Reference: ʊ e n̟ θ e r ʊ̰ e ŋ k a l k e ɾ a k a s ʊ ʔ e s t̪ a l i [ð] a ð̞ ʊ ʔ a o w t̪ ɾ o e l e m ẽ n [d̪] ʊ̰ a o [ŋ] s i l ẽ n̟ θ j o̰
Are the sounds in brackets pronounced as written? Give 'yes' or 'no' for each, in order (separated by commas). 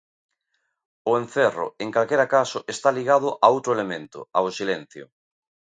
no, no, no